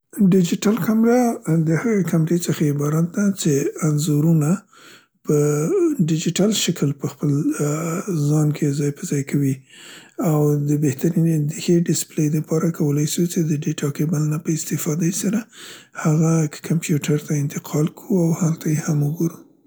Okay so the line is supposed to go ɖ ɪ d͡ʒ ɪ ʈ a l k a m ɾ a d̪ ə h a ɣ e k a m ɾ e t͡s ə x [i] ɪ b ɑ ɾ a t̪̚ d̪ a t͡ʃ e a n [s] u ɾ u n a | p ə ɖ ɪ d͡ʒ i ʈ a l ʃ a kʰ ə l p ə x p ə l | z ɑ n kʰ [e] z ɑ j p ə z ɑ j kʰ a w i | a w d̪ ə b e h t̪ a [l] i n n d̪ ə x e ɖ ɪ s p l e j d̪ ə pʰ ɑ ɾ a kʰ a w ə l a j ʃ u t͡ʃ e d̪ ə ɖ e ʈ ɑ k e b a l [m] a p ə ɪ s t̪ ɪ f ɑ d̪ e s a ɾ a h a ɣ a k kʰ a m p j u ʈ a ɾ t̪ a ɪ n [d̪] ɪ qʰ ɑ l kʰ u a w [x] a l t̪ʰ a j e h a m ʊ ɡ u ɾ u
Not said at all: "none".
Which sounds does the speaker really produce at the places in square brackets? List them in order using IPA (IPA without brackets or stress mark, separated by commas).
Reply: a, z, e, ɾ, n, t̪, h